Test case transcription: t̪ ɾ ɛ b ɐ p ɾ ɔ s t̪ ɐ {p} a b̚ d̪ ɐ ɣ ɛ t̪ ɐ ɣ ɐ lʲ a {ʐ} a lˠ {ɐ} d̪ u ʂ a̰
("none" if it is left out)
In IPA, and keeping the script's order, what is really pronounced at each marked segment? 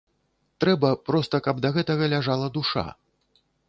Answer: k, ʐ, ɐ

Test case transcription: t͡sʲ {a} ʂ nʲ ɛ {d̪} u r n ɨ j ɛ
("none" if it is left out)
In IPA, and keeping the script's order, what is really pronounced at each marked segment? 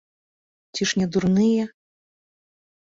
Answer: i, d̪

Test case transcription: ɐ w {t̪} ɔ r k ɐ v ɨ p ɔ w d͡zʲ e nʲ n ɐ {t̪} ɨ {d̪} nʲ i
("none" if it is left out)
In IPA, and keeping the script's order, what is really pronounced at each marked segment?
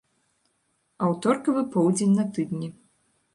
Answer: t̪, t̪, d̪

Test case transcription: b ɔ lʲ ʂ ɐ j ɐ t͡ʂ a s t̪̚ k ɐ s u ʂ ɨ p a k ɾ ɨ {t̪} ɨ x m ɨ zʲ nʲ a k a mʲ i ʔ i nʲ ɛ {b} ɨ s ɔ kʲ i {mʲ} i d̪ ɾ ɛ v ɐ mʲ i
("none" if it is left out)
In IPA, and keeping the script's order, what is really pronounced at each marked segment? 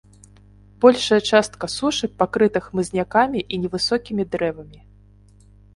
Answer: t̪, v, mʲ

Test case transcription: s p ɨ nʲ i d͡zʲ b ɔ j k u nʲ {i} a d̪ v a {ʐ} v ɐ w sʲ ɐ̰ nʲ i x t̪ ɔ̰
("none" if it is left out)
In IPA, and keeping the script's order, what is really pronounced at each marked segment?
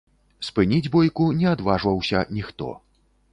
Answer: ɛ, ʐ

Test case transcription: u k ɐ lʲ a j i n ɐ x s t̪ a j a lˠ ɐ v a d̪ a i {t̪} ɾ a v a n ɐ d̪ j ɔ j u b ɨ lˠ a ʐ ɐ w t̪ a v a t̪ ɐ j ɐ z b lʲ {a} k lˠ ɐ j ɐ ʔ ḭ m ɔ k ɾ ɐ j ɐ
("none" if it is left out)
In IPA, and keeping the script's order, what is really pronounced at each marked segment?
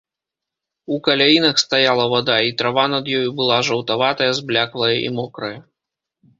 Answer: t̪, a

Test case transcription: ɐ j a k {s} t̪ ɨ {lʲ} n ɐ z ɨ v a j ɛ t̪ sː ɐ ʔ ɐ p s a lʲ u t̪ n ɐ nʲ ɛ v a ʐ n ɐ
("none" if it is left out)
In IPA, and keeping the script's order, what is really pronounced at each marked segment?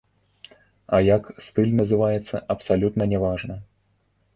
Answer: s, lʲ

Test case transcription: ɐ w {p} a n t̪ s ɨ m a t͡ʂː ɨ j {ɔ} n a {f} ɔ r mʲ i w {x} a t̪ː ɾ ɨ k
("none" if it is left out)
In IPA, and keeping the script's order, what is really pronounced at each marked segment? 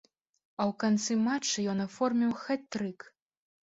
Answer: k, ɔ, f, x

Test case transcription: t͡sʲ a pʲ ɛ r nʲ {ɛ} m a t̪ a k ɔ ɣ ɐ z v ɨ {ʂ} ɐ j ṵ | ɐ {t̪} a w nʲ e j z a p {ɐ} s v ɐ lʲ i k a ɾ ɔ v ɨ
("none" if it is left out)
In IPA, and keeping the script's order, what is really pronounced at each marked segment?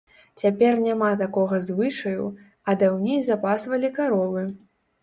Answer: a, ʂ, d̪, a

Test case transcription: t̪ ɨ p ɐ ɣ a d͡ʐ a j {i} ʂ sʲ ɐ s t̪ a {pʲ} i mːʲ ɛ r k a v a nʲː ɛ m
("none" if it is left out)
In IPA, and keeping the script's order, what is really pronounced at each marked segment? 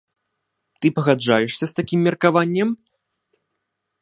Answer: ɛ, kʲ

